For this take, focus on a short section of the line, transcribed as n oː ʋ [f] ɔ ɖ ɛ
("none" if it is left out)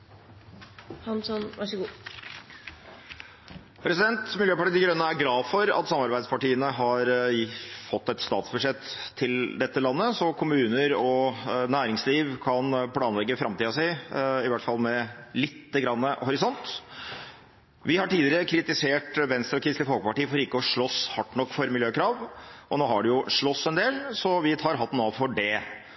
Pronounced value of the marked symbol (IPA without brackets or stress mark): f